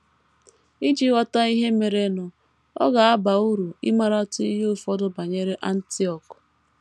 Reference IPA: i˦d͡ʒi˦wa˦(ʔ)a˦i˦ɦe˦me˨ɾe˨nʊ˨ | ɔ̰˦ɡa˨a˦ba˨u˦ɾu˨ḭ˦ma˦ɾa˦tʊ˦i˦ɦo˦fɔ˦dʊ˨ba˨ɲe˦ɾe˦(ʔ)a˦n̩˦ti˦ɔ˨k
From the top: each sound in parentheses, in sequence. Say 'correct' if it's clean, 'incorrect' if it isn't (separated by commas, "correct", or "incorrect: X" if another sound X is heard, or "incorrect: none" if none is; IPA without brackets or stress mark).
incorrect: t, correct